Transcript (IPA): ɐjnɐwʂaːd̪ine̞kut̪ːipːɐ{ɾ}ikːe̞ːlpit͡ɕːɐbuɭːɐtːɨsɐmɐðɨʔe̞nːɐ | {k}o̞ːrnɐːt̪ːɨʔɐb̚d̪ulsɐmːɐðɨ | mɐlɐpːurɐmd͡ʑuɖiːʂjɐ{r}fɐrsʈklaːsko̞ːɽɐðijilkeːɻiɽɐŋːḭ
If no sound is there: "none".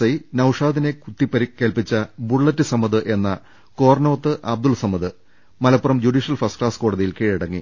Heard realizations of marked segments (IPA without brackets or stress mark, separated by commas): ɾ, k, l